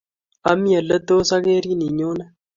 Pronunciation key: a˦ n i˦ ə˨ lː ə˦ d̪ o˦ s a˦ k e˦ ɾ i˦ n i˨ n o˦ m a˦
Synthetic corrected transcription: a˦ m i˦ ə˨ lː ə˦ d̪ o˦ s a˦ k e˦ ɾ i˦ n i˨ ɲ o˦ n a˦